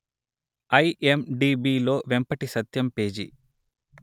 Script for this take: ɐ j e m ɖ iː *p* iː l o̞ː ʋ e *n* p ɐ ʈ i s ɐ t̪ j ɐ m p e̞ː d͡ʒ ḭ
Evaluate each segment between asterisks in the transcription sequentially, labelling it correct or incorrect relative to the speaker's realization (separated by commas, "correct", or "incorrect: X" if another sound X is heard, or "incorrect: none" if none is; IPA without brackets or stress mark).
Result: incorrect: b, incorrect: m